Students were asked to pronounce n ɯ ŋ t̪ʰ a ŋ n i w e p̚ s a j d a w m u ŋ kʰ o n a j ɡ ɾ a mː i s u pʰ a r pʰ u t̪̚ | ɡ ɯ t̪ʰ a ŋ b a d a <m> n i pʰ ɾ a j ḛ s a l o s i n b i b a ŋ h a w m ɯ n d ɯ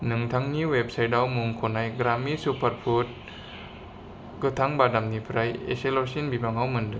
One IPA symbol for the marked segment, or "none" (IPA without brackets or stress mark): m